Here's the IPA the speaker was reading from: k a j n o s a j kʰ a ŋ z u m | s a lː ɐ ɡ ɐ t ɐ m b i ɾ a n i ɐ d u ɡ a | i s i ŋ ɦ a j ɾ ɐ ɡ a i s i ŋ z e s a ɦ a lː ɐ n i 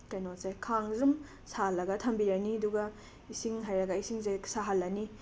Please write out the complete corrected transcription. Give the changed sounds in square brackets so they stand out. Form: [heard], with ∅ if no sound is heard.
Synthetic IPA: k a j n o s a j kʰ a ŋ z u m | s a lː ɐ ɡ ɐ [tʰ] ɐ m b i ɾ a n i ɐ d u ɡ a | i s i ŋ ɦ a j ɾ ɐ ɡ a i s i ŋ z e s a ɦ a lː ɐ n i